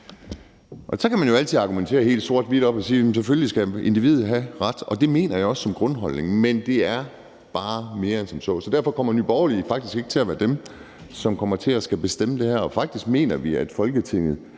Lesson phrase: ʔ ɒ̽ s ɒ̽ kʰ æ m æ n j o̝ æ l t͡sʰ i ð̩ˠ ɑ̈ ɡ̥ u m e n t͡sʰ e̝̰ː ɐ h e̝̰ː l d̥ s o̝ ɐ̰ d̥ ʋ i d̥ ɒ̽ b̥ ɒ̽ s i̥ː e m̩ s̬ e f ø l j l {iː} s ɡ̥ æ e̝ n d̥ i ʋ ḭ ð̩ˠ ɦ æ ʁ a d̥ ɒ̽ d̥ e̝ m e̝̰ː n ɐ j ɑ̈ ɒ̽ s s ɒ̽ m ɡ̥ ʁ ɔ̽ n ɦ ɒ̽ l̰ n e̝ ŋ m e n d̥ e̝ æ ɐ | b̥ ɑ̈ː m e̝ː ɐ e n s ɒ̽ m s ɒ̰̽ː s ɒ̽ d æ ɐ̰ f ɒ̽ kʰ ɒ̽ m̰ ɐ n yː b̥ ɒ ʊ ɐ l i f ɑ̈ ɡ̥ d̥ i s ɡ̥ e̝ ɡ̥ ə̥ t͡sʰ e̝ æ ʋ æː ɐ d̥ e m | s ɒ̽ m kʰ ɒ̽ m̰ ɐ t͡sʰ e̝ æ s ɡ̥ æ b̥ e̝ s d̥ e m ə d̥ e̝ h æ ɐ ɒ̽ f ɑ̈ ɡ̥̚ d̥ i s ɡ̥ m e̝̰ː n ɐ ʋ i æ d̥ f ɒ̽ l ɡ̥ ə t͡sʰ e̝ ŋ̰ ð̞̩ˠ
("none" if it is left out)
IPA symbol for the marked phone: i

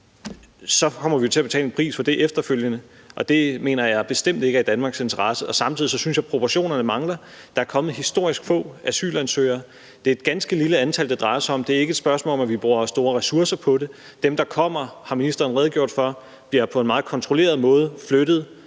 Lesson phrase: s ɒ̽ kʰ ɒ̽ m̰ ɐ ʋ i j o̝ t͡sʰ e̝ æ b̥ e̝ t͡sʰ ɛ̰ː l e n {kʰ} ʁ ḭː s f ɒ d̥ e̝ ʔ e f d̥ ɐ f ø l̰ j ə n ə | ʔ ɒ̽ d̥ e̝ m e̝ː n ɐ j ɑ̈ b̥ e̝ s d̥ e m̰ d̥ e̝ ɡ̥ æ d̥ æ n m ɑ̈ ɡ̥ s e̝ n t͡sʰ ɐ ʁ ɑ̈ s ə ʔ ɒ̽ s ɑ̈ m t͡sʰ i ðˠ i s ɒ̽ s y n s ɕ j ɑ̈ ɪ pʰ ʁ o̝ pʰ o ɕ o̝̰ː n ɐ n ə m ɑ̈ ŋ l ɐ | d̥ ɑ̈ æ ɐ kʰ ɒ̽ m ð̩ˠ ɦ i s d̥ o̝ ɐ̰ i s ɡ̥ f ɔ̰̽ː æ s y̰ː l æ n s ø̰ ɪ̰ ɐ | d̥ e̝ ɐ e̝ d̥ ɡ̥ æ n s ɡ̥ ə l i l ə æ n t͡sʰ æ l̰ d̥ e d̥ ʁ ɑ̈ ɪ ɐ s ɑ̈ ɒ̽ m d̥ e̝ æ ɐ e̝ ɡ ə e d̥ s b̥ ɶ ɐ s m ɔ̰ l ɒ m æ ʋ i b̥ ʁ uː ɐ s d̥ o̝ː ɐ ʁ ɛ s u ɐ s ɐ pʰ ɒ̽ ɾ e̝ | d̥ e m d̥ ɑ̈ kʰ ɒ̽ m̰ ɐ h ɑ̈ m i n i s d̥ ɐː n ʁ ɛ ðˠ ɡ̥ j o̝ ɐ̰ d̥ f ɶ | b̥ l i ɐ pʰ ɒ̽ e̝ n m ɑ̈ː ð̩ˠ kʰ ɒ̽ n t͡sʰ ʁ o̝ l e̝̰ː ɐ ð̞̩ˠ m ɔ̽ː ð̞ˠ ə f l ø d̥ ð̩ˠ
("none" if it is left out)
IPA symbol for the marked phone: pʰ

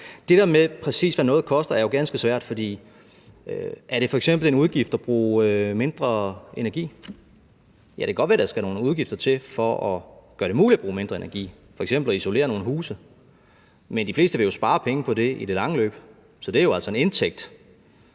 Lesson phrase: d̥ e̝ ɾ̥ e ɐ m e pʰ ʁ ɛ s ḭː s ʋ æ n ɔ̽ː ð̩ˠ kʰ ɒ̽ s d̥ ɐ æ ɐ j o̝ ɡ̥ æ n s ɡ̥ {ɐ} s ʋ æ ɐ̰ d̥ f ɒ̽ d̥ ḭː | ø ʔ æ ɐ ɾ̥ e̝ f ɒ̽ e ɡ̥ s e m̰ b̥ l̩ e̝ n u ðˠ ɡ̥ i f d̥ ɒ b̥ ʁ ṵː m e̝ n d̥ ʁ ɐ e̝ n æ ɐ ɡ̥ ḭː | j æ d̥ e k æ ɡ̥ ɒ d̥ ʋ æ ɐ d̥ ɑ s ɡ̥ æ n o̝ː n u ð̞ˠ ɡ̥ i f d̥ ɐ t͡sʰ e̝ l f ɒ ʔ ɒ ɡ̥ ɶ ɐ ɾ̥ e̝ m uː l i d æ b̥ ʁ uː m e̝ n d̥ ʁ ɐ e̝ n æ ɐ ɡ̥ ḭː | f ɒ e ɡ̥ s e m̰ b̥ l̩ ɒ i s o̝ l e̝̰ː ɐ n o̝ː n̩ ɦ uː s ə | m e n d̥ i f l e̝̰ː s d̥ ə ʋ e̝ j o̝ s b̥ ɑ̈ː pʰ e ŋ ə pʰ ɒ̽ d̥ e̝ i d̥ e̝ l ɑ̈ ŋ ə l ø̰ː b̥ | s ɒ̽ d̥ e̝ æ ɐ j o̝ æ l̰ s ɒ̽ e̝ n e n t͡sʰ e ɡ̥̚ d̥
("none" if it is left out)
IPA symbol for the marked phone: ə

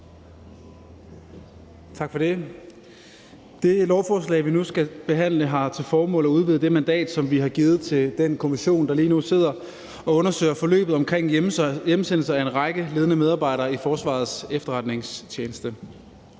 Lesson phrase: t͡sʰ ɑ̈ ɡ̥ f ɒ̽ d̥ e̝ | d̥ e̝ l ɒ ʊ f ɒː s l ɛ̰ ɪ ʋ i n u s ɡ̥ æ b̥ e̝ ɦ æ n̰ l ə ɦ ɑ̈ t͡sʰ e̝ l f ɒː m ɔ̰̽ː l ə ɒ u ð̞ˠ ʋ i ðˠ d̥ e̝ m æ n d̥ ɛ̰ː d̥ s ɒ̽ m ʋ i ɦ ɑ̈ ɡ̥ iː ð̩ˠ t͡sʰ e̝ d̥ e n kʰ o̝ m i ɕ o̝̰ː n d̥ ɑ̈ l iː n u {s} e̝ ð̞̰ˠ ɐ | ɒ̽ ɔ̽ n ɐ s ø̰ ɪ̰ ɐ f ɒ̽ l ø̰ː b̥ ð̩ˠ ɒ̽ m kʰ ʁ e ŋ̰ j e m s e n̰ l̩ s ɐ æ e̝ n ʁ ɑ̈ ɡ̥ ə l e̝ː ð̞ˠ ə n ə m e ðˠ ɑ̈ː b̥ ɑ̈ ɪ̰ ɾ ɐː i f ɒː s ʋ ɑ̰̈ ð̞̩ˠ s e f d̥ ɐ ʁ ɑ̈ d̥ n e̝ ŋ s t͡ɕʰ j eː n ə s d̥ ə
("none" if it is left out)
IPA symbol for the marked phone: s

